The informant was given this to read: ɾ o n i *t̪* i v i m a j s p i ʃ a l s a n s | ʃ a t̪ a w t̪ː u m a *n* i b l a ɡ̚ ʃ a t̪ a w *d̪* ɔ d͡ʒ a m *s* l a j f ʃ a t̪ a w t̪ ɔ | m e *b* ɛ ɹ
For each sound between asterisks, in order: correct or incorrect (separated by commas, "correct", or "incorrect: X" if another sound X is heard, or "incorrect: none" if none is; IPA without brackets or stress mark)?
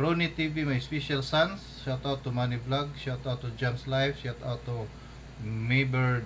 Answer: correct, correct, incorrect: t̪, correct, correct